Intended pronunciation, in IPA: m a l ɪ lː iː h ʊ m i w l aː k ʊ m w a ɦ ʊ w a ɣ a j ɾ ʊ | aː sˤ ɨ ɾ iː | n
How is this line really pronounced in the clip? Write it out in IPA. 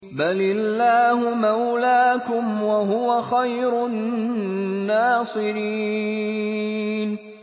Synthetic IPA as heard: b a l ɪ lː aː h ʊ m a w l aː k ʊ m w a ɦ ʊ w a x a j ɾ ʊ | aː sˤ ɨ ɾ iː | n